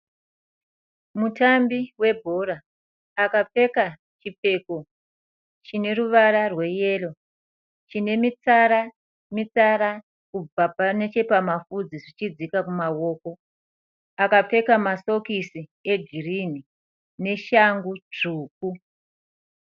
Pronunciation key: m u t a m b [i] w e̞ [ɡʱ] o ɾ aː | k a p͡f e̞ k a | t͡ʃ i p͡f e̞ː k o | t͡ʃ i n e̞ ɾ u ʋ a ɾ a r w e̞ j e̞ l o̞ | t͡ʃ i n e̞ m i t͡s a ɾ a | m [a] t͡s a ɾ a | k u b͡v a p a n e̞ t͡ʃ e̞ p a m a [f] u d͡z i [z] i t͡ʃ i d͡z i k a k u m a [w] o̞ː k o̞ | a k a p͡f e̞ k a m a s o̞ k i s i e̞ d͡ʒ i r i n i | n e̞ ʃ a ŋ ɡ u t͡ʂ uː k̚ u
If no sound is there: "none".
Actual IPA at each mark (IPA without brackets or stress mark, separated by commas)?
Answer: i, bʱ, i, f, ʐ, w